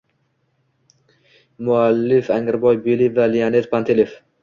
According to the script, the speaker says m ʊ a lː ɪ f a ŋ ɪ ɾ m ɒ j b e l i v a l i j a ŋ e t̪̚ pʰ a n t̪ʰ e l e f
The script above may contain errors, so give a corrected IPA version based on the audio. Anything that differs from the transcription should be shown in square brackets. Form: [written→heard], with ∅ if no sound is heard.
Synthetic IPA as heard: m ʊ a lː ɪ f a ŋ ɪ ɾ [m→b] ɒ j b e l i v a l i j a [ŋ→n] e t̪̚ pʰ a n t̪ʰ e l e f